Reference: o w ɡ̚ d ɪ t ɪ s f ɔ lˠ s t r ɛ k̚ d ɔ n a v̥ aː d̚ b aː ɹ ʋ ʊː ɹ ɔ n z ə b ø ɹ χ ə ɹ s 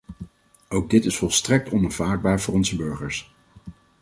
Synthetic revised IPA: o w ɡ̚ d ɪ t ɪ s f ɔ lˠ s t r ɛ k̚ t ɔ n a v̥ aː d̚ b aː ɹ v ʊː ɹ ɔ n z ə b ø ɹ χ ə ɹ s